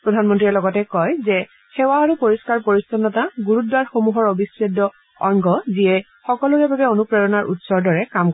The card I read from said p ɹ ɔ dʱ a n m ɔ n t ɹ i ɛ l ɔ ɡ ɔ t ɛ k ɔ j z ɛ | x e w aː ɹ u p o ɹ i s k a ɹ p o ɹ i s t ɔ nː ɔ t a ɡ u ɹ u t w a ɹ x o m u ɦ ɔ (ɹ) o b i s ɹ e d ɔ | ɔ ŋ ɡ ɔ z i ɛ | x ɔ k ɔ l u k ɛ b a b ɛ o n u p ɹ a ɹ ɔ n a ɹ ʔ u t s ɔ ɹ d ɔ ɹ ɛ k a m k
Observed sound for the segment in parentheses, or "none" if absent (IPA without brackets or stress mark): ɹ